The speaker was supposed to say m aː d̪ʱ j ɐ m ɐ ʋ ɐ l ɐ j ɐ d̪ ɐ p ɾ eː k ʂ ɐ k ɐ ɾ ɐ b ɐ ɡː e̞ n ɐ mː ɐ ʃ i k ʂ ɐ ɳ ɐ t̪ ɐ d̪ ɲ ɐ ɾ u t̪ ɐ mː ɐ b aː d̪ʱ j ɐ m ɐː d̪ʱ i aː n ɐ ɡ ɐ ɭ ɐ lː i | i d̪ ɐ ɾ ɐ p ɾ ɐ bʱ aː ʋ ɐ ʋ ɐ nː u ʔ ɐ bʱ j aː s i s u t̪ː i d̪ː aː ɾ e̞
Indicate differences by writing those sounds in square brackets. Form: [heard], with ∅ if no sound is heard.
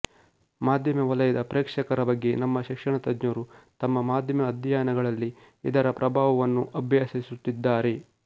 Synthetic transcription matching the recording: m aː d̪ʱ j ɐ m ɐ ʋ ɐ l ɐ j ɐ d̪ ɐ p ɾ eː k ʂ ɐ k ɐ ɾ ɐ b ɐ ɡː e̞ n ɐ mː ɐ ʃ i k ʂ ɐ ɳ ɐ t̪ ɐ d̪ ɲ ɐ ɾ u t̪ ɐ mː ɐ [m] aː d̪ʱ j ɐ m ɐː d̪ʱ [j] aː n ɐ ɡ ɐ ɭ ɐ lː i | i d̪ ɐ ɾ ɐ p ɾ ɐ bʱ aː ʋ ɐ ʋ ɐ nː u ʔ ɐ bʱ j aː s i s u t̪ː i d̪ː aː ɾ e̞